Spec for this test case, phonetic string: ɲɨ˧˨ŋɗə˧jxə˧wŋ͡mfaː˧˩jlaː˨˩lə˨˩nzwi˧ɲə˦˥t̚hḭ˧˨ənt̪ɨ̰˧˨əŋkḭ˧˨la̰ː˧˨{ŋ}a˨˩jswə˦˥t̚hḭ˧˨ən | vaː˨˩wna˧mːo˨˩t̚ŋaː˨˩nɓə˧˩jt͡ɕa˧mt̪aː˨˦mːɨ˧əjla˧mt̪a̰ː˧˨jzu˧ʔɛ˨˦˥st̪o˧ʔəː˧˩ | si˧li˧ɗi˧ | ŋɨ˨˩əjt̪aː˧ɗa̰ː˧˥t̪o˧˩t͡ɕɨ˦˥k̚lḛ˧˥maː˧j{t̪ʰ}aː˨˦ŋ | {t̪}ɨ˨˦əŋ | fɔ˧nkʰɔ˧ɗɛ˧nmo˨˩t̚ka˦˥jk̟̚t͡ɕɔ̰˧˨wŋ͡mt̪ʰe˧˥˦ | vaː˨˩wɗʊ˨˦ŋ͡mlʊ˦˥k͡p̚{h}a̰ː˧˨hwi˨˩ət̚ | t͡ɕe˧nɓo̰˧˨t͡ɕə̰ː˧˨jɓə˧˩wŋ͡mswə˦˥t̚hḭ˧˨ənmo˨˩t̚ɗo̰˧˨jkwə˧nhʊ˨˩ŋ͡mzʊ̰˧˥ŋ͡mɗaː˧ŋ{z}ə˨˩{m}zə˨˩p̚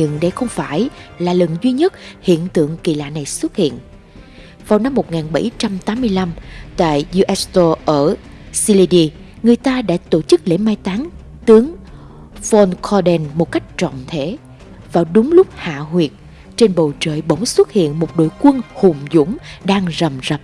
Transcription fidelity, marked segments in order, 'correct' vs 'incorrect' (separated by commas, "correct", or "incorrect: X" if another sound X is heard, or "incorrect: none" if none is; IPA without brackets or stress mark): incorrect: n, incorrect: t̪, correct, correct, correct, correct